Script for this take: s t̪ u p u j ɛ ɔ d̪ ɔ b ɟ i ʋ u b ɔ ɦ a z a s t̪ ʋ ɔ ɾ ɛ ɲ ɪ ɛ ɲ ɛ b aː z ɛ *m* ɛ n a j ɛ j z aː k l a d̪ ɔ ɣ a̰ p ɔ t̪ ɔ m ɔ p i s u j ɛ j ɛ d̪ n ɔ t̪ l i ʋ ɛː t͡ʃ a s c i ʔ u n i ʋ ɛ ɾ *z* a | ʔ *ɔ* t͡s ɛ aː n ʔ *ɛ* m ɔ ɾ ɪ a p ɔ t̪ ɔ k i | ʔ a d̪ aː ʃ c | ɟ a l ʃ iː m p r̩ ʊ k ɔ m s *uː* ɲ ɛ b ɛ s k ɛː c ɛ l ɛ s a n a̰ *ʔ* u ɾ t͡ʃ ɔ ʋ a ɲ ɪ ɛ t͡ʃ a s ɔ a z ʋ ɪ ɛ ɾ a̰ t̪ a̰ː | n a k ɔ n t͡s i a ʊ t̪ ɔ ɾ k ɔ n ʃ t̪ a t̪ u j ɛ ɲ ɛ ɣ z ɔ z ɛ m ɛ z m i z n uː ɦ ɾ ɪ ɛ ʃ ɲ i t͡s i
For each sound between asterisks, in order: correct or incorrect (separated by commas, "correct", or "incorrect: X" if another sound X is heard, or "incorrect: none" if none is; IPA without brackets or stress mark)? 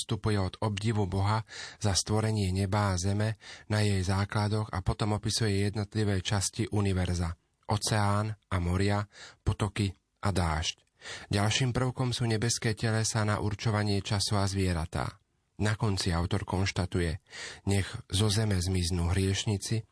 correct, correct, correct, incorrect: a, correct, correct